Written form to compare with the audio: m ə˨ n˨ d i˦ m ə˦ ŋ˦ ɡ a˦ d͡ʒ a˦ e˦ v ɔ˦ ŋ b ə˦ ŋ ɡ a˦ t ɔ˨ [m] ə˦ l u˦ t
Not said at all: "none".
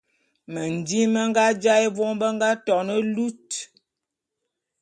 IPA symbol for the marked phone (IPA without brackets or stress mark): n